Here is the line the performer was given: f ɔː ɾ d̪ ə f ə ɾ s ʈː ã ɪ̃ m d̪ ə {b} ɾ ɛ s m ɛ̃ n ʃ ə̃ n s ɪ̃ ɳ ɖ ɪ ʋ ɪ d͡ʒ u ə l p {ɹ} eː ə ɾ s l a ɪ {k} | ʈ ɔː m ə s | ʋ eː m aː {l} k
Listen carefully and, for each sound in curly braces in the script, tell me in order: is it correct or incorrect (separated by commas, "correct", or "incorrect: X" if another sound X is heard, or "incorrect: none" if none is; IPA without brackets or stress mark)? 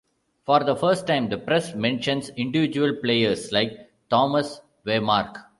incorrect: p, incorrect: l, correct, incorrect: ɾ